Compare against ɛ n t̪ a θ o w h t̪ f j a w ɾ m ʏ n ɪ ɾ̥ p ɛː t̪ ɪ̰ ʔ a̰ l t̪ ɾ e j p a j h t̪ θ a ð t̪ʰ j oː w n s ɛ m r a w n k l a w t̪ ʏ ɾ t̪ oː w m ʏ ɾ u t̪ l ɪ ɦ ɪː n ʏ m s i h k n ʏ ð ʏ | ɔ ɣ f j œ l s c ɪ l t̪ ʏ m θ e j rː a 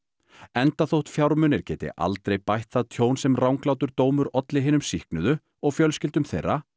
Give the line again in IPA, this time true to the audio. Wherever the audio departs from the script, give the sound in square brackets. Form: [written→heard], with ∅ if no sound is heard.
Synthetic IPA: ɛ n t̪ a θ o w h t̪ f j a w ɾ m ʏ n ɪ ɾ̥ [p→c] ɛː t̪ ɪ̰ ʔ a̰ l t̪ ɾ e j p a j h t̪ θ a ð t̪ʰ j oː w n s ɛ m r a w [n→ŋ] k l a w t̪ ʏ ɾ t̪ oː w m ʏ ɾ [u→ɔ] t̪ l ɪ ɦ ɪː n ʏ m s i h k n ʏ ð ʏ | ɔ ɣ f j œ l s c ɪ l t̪ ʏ m θ e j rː a